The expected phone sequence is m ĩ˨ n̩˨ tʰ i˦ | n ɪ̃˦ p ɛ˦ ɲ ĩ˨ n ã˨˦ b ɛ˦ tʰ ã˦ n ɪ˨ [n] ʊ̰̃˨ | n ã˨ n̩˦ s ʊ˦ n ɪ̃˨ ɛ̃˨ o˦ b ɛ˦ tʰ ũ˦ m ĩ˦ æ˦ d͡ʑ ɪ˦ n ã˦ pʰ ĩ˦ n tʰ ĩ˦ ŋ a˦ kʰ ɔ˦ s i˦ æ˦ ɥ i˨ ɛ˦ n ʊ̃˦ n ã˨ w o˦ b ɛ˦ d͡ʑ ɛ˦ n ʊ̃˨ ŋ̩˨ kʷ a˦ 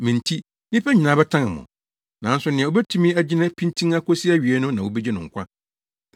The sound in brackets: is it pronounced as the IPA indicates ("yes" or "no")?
no